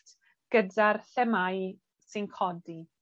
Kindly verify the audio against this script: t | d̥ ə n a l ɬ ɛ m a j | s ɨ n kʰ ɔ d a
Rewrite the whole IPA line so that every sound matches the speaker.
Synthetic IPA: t | ɡ̥ ə d a r ɬ ɛ m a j | s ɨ n kʰ ɔ d i

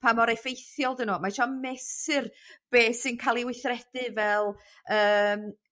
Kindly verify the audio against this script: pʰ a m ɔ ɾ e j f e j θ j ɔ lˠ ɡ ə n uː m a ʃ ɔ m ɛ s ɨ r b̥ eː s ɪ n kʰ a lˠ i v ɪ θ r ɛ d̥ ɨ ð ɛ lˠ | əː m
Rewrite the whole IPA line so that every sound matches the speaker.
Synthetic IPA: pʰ a m ɔ ɾ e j f e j θ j ɔ lˠ d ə n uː m a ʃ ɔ m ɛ s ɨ r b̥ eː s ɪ n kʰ a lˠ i w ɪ θ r ɛ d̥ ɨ v ɛ lˠ | əː m

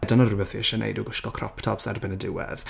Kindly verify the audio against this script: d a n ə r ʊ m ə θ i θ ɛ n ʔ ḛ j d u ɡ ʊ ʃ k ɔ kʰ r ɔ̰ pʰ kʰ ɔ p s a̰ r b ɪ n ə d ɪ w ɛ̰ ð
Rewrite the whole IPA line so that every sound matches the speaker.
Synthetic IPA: d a n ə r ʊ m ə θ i ʃ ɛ n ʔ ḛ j d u ɡ ʊ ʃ k ɔ kʰ r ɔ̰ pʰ tʰ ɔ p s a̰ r b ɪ n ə d ɪ w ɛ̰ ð

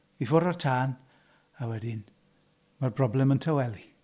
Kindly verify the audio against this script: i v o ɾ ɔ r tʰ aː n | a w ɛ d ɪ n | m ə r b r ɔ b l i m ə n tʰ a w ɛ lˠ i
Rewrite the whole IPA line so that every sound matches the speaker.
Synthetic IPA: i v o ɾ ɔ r tʰ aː n | a w ɛ d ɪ n | m a r b r ɔ b l ɛ m ə n tʰ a w ɛ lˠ i

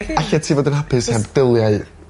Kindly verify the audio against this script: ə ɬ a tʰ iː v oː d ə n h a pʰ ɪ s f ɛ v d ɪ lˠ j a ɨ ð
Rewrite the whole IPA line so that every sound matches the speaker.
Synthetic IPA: a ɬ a tʰ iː v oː d ə n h a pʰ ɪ s h ɛ b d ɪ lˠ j a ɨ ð

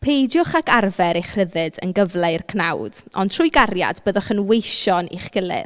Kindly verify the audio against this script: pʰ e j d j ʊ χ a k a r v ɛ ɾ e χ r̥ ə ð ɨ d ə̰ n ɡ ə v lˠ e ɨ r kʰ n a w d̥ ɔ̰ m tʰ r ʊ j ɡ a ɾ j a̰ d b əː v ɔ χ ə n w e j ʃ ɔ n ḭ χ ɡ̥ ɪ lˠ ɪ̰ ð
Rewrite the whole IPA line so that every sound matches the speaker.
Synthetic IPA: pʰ e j d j ʊ χ a k a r v ɛ ɾ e χ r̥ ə ð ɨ d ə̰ n ɡ ə v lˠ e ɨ r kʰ n a w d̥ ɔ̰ n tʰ r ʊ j ɡ a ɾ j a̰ d b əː ð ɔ χ ə n w e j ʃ ɔ n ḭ χ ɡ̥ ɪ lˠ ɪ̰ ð

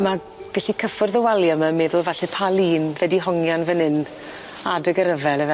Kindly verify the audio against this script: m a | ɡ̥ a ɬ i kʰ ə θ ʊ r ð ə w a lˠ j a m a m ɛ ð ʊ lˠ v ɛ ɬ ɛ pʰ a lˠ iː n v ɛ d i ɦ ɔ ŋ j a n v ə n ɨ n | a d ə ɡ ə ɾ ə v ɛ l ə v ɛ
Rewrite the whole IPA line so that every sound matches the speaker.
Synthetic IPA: m a | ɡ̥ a ɬ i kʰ ə f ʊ r ð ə w a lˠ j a m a m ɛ ð ʊ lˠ v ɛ ɬ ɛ pʰ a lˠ iː n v ɛ d i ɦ ɔ ŋ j a n v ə n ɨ n | a d ə ɡ ə ɾ ə v ɛ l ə v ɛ

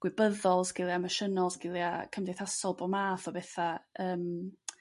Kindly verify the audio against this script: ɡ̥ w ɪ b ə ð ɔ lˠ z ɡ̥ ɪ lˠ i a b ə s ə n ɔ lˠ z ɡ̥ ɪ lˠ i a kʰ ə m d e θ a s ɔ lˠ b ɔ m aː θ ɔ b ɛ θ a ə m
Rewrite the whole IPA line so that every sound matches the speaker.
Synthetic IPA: ɡ̥ w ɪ b ə ð ɔ lˠ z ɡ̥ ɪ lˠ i a m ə ʃ ə n ɔ lˠ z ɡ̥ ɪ lˠ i a kʰ ə m d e θ a s ɔ lˠ b ɔ m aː θ ɔ b ɛ θ a əː m

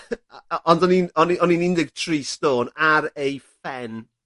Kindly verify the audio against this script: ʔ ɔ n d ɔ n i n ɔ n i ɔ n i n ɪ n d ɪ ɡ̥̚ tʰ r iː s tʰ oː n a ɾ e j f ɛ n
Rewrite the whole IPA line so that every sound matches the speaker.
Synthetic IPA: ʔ ɔ n d ɔ n i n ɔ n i ɔ n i n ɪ n d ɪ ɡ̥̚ tʰ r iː s t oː n a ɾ e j f ɛ n

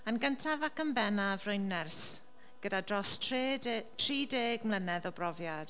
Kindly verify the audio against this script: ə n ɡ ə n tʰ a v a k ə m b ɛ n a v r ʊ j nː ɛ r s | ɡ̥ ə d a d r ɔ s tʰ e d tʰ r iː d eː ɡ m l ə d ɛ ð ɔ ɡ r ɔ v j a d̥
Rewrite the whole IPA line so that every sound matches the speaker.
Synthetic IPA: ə n ɡ ə n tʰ a v a k ə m b ɛ n a v r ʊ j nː ɛ r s | ɡ̥ ə d a d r ɔ s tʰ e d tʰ r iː d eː ɡ m l ə n ɛ ð ɔ b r ɔ v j a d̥

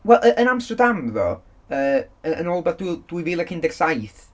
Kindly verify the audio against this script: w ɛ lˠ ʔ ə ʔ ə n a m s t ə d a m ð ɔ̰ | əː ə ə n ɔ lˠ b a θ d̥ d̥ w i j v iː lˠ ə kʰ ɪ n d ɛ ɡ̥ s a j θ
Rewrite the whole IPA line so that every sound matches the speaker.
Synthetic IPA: w ɛ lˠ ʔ ə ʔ ə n a m s t ə d a m ð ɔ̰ | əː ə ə n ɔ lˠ b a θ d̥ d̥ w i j v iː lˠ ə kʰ ɪ n d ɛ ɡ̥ s a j θ

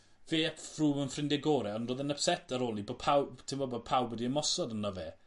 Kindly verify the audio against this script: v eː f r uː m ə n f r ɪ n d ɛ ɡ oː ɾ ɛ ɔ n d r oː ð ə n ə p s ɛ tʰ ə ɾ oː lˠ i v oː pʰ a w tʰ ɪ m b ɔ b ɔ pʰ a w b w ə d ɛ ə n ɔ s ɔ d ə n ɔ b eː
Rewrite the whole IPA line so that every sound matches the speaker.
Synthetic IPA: v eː f r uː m ə n f r ɪ n d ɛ ɡ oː ɾ ɛ ɔ n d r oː ð ə n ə p s ɛ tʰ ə ɾ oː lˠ i b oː pʰ a w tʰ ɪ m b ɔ b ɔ pʰ a w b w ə d i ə m ɔ s ɔ d ə n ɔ v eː

